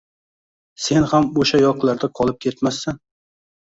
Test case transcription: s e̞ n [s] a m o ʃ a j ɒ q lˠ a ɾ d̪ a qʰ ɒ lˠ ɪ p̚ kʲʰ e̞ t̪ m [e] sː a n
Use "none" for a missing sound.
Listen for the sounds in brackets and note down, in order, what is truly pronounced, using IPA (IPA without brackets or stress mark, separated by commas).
h, a